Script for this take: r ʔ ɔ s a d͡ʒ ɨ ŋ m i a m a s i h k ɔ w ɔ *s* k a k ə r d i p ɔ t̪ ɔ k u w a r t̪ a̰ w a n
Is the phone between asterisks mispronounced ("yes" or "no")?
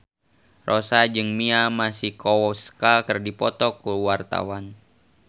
no